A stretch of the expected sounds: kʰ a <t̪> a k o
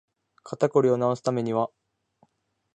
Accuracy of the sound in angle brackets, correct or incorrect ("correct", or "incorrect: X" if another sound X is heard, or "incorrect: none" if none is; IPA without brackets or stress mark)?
correct